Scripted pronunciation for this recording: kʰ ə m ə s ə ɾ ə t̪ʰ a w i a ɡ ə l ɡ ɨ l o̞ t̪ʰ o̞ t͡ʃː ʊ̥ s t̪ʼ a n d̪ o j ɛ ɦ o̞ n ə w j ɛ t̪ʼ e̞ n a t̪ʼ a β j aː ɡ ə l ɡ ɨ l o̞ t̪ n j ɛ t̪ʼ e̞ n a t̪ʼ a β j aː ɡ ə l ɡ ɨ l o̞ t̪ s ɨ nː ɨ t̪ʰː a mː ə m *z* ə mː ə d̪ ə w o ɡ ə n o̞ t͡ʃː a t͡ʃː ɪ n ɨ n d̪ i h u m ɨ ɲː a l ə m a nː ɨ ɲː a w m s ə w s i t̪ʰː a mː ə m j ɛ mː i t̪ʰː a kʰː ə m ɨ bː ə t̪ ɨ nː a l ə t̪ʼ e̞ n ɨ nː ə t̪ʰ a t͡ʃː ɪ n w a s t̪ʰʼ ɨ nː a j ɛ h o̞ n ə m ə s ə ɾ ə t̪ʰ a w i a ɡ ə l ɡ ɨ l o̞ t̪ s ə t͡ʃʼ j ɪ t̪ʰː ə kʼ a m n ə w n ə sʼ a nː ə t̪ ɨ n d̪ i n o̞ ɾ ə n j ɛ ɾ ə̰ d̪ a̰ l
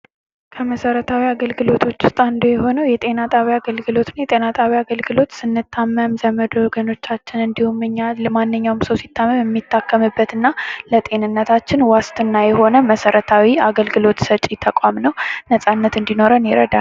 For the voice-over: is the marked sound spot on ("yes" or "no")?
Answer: yes